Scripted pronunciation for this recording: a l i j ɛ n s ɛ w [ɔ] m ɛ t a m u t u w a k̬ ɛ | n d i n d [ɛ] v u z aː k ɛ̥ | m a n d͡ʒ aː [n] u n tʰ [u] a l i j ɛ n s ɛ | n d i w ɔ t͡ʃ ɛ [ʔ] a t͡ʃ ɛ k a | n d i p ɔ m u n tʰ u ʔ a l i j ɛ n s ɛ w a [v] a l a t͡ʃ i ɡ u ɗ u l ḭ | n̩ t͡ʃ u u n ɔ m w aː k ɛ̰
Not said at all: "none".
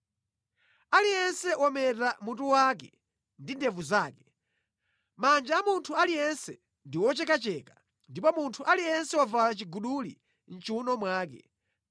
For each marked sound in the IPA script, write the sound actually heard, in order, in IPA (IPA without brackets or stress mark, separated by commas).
ɔ, ɛ, m, u, k, v